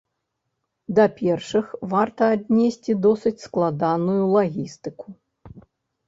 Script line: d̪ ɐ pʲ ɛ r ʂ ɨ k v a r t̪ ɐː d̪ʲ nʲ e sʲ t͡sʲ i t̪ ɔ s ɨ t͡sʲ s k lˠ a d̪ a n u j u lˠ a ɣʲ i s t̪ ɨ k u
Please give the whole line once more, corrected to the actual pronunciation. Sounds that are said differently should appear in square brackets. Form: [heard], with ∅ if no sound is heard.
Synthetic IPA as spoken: d̪ ɐ pʲ ɛ r ʂ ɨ [x] v a r t̪ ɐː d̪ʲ nʲ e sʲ t͡sʲ i [d̪] ɔ s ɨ t͡sʲ s k lˠ a d̪ a n u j u lˠ a ɣʲ i s t̪ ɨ k u